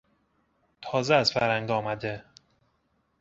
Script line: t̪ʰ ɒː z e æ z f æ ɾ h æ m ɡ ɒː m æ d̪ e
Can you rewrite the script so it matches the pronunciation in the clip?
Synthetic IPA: t̪ʰ ɒː z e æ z f æ ɾ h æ ŋ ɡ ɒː m æ d̪ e